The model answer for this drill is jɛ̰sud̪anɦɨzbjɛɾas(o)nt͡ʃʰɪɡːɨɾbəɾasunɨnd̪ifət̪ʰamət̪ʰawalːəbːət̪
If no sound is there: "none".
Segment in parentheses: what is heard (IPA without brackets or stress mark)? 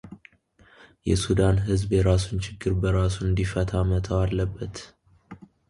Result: u